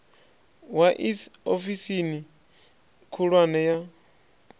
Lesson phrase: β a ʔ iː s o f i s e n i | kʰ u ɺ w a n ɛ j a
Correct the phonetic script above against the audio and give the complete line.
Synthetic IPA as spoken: w a ʔ i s o f i s i n i | kʰ u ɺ w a n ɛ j a